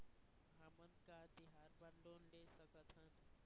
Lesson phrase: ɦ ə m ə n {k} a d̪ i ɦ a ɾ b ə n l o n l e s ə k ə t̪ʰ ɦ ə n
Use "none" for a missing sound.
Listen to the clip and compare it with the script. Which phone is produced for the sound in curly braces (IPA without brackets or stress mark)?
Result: k